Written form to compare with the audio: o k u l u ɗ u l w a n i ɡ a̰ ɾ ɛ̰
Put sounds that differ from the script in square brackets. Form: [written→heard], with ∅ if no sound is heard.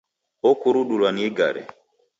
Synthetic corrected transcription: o k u [l→ɾ] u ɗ u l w a n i ɡ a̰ ɾ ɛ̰